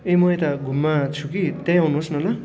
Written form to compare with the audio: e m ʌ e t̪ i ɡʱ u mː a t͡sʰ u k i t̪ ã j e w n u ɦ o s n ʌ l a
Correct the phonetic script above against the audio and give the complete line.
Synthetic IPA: e m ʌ e t̪ a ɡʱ u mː a t͡sʰ u k i t̪ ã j a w n u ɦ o s n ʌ l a

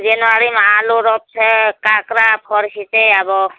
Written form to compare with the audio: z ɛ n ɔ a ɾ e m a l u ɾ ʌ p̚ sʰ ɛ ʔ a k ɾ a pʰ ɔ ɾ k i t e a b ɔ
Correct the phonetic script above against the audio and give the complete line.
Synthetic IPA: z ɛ n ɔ a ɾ i m a l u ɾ ɔ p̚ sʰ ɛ k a k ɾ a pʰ ɔ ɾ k i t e a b ɔ

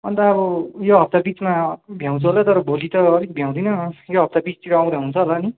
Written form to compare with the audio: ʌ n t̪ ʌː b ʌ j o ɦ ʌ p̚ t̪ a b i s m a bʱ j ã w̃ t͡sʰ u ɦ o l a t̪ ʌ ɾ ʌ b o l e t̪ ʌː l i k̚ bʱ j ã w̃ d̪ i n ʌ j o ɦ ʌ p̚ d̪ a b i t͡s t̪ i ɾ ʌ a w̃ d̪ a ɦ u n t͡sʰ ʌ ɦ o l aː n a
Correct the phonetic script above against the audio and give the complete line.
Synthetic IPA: ʌ n t̪ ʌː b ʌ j o ɦ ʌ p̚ t̪ a b i t͡s m a bʱ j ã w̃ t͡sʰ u ɦ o l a t̪ ʌ ɾ ʌ b o l i t̪ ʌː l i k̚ bʱ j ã w̃ d̪ i n ʌ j o ɦ ʌ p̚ t̪ a b i t͡s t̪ i ɾ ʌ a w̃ d̪ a ɦ u n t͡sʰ ʌ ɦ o l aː n i

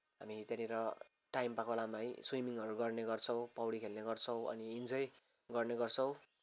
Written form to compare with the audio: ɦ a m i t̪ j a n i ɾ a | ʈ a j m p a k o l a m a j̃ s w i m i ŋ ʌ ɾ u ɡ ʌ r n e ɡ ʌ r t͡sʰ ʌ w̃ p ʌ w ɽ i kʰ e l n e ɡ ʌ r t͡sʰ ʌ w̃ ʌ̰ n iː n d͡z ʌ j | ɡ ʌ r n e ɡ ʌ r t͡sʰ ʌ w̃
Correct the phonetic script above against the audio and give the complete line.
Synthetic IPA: ɦ a m i t̪ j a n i ɾ ʌ | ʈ a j m p a k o l a m a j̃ s w i m i ŋ ʌ ɾ u ɡ ʌ r n e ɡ ʌ r t͡sʰ ʌ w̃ p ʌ w ɽ i kʰ e l n e ɡ ʌ r t͡sʰ ʌ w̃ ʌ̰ n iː n d͡z ʌ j | ɡ ʌ r n e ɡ ʌ r t͡sʰ ʌ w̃

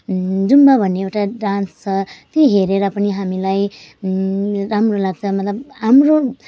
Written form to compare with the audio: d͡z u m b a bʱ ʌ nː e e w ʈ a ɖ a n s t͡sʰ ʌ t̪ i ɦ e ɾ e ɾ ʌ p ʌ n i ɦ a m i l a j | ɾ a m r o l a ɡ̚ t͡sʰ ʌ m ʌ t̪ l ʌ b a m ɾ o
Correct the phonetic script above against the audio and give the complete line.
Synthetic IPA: d͡z u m b a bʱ ʌ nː e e w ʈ a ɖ a n s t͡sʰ ʌ t̪ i ɦ e ɾ e ɾ ʌ p ʌ n i ɦ a m i l a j | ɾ a m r o l a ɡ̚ t͡sʰ ʌ m ʌ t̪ l ʌ b a m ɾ o

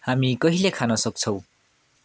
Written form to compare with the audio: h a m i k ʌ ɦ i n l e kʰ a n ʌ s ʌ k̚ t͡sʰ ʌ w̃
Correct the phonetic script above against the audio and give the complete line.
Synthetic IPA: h a m i k ʌ ɦ i l e kʰ a n ʌ s ʌ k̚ t͡sʰ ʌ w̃

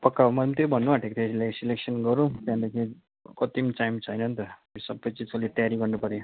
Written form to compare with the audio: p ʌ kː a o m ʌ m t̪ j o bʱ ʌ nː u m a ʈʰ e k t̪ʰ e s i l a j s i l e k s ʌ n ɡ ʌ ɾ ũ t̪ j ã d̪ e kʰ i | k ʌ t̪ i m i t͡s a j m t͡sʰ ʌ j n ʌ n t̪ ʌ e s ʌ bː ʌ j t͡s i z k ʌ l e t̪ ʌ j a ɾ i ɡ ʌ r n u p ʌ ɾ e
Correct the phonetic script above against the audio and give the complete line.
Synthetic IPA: p ʌ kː a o m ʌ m t̪ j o bʱ ʌ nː u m a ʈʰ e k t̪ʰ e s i l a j s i l e k s ʌ n ɡ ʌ ɾ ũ t̪ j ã d̪ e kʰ i | k ʌ t̪ i m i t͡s a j m t͡sʰ ʌ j n ʌ n t̪ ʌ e s ʌ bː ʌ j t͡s i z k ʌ l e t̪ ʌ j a ɾ i ɡ ʌ r n u p ʌ ɾ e

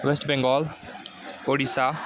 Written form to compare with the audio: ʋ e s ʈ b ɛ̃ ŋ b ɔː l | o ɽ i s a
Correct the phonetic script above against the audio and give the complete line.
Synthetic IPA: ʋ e s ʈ b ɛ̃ ŋ ɡ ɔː l | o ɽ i s a

